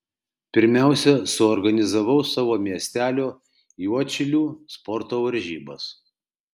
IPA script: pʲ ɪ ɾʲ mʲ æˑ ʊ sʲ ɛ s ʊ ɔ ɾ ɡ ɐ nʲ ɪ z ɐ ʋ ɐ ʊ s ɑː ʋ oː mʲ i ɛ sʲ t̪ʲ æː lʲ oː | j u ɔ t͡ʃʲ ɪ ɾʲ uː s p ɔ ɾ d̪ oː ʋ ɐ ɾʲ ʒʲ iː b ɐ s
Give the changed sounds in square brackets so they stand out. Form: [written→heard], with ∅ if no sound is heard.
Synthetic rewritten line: pʲ ɪ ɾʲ mʲ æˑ ʊ sʲ ɛ s ʊ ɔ ɾ ɡ ɐ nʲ ɪ z ɐ ʋ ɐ ʊ s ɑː ʋ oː mʲ i ɛ sʲ t̪ʲ æː lʲ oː | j u ɔ t͡ʃʲ ɪ [ɾʲ→lʲ] uː s p ɔ ɾ [d̪→t̪] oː ʋ ɐ ɾʲ ʒʲ iː b ɐ s